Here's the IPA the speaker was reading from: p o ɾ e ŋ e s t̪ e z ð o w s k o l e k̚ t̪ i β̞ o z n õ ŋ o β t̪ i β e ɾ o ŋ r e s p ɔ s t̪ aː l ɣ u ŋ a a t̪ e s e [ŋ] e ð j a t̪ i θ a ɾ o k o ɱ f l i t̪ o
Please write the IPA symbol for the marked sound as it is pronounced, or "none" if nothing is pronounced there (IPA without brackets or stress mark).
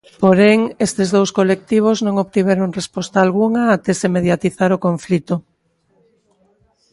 m